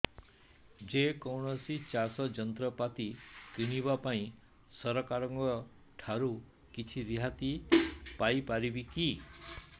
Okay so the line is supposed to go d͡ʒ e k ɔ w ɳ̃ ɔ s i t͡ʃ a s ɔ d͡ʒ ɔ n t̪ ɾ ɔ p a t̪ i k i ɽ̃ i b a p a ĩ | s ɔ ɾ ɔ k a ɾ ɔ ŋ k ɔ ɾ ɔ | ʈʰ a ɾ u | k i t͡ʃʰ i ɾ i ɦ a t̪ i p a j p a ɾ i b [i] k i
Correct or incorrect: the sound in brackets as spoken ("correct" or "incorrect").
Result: correct